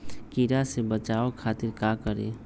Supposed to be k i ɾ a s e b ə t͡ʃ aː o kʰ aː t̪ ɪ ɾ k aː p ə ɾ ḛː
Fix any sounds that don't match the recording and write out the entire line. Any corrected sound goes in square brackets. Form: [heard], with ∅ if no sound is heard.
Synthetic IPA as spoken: k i ɾ a s e b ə t͡ʃ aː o kʰ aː t̪ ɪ ɾ k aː [k] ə ɾ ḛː